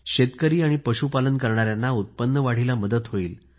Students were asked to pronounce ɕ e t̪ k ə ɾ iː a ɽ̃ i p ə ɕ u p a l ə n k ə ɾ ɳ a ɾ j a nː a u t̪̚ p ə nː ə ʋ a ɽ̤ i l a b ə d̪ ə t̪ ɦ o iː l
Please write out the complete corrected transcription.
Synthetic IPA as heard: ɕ e t̪ k ə ɾ iː a ɽ̃ i p ə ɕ u p a l ə n k ə ɾ ɳ a ɾ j a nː a u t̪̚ p ə nː ə ʋ a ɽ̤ i l a m ə d̪ ə t̪ ɦ o iː l